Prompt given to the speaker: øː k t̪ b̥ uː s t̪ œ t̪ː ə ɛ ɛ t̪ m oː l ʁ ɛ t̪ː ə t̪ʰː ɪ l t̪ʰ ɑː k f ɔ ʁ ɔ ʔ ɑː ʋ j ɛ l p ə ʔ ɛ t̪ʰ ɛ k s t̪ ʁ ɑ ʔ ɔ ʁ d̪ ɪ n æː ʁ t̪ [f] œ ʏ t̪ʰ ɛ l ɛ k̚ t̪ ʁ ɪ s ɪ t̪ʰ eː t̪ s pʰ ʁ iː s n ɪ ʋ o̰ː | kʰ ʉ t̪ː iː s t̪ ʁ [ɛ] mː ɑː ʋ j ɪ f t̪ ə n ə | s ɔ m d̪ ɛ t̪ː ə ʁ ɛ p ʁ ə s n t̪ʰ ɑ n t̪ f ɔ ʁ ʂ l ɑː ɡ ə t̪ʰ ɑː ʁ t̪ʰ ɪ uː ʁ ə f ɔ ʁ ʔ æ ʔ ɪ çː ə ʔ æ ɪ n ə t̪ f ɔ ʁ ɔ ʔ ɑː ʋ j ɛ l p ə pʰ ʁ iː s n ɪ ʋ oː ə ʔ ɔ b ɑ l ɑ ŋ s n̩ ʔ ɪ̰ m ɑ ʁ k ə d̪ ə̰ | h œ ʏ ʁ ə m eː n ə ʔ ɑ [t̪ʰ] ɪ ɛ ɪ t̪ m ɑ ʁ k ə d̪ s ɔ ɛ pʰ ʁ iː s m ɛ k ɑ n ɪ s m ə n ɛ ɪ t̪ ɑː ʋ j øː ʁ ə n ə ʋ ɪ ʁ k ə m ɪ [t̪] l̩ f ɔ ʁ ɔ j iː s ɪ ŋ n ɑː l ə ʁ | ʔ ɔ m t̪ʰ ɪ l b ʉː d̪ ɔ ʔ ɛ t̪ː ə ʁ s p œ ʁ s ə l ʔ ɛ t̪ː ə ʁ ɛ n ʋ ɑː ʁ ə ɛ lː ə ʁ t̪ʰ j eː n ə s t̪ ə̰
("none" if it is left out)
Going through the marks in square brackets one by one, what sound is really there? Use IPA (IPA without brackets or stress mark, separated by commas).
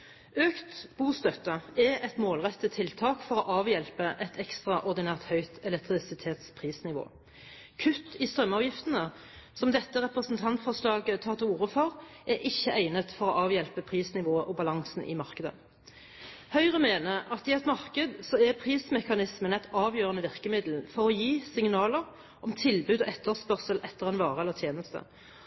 h, œ, t̪, d̪